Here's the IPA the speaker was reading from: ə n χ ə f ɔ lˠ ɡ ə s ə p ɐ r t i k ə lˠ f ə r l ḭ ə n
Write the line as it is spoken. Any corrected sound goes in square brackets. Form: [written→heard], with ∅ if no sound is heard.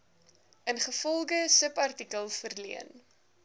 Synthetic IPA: ə n χ ə f ɔ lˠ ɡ ə s ə p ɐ r t i k ə lˠ f ə r l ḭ ə n